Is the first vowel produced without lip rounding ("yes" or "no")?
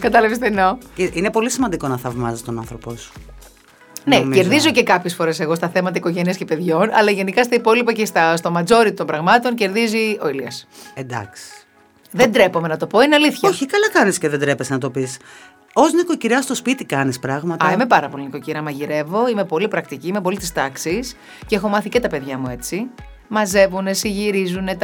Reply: yes